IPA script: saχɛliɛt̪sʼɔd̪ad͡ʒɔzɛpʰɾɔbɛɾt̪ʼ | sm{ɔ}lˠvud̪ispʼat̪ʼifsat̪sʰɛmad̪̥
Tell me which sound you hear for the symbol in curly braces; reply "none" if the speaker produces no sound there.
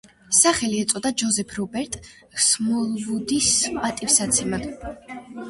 ɔ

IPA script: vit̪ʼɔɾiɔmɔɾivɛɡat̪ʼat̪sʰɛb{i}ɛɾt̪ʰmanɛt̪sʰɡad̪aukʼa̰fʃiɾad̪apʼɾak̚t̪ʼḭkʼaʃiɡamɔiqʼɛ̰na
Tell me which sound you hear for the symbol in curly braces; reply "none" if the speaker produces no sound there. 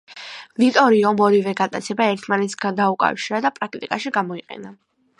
a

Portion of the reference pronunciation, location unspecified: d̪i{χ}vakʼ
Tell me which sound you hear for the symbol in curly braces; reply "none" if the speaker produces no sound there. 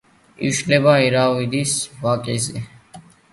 s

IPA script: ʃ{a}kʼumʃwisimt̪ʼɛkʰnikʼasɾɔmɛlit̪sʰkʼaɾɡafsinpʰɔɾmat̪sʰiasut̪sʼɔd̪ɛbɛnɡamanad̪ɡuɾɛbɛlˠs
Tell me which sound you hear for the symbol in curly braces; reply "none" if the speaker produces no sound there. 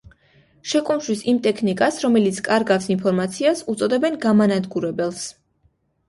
ɛ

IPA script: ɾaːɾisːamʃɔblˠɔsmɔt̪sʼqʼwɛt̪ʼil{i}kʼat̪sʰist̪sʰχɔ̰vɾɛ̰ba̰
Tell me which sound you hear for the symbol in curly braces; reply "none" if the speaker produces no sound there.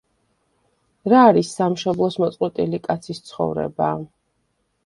i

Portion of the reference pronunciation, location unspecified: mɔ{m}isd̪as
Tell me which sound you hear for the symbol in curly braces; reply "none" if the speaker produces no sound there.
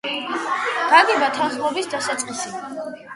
b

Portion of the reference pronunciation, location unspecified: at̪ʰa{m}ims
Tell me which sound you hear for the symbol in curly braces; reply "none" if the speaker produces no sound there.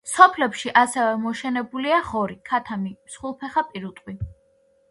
m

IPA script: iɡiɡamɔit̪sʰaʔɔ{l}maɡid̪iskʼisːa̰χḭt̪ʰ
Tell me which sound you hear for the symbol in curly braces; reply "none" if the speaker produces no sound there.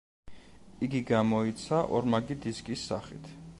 ɾ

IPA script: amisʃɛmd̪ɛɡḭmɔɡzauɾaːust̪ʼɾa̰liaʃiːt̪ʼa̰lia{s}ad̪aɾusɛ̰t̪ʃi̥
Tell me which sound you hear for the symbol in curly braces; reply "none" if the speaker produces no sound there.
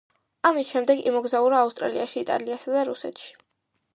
s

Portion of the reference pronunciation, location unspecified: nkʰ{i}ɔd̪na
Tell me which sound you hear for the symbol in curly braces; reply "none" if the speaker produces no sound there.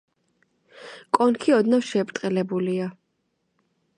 i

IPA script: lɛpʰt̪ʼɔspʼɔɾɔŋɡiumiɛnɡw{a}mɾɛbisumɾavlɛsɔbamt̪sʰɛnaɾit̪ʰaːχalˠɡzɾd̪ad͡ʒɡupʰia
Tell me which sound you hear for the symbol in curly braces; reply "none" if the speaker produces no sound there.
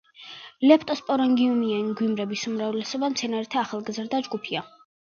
i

